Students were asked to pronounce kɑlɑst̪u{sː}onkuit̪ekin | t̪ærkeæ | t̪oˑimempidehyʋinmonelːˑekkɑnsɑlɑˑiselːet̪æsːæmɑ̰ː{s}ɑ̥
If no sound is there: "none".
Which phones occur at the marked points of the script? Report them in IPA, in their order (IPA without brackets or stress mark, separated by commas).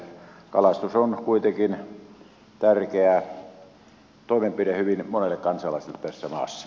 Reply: s, sː